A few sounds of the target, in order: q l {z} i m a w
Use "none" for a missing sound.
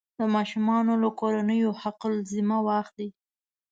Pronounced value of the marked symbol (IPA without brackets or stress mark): z